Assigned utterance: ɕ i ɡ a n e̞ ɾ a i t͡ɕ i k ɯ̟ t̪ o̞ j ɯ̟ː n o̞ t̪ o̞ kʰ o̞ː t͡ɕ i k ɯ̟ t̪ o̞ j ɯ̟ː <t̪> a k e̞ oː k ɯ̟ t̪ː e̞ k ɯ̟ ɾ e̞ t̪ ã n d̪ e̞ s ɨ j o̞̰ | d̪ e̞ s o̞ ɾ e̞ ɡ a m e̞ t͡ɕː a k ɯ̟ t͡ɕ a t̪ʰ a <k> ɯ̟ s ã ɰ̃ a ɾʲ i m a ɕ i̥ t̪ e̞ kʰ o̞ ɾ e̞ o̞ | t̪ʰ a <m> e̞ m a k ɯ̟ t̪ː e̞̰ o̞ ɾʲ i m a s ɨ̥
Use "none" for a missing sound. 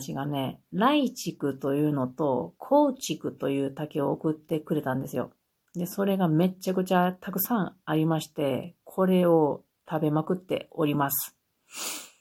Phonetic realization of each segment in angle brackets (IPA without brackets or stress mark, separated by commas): t̪, k, b